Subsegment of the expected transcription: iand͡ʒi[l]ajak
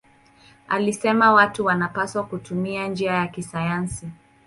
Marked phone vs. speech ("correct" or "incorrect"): incorrect